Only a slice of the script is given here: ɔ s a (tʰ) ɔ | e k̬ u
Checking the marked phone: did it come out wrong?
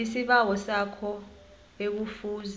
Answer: yes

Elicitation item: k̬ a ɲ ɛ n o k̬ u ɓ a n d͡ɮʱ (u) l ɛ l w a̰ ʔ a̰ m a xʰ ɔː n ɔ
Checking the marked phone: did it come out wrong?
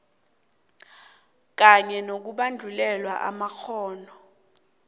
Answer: no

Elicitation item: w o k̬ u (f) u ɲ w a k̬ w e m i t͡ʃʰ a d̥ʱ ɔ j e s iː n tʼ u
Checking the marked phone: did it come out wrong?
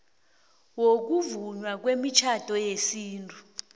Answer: yes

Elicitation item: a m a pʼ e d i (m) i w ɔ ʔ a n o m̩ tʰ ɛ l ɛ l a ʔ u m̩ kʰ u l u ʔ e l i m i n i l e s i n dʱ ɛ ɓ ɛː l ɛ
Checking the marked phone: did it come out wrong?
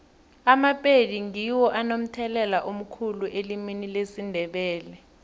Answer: yes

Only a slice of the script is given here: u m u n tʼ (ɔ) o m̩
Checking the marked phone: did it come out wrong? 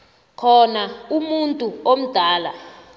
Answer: yes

